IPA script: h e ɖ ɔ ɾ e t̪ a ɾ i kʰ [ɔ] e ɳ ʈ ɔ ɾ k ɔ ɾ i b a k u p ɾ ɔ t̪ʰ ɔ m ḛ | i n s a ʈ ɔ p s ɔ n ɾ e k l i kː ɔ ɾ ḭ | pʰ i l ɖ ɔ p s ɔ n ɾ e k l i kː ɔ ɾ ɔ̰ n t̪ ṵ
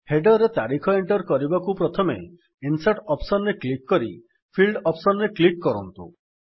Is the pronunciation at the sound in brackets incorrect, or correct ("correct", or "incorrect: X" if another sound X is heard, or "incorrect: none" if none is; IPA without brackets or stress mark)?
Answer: correct